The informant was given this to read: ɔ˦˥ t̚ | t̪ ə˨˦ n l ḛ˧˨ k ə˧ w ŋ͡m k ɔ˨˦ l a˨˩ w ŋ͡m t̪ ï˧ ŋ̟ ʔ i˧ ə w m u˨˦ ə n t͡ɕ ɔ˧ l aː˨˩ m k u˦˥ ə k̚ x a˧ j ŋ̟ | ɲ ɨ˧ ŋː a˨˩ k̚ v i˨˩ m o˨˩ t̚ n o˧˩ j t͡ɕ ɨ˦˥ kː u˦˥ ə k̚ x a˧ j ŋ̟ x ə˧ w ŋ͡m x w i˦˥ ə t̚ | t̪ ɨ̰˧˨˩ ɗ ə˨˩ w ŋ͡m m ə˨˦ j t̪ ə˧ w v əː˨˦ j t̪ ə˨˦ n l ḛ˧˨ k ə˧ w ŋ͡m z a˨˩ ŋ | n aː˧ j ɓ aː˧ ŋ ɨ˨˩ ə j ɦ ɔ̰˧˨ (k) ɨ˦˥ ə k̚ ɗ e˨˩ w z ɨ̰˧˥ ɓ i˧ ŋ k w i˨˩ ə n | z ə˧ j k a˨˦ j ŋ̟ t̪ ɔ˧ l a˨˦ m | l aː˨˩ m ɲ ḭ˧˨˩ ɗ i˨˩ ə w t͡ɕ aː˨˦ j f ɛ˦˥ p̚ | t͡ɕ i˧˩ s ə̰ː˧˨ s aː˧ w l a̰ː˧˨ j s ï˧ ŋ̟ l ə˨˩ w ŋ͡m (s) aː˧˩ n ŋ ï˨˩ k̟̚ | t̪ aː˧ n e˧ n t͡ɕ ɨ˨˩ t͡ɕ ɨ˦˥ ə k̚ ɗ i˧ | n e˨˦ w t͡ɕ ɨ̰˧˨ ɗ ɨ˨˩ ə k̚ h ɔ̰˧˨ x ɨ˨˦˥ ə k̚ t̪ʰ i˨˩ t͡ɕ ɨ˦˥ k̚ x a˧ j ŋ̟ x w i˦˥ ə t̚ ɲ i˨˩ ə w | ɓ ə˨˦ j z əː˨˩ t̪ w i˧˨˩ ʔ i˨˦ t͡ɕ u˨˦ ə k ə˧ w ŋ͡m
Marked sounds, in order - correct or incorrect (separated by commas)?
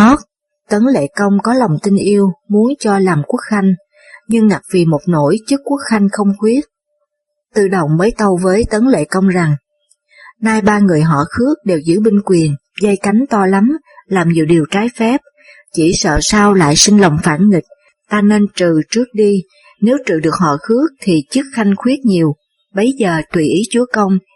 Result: incorrect, incorrect